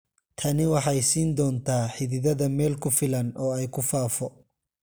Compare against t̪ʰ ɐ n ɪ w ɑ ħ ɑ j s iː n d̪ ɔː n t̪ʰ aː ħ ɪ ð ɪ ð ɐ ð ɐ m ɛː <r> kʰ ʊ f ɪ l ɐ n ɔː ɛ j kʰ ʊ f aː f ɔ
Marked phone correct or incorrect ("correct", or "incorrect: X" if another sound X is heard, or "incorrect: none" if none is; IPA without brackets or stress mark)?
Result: incorrect: l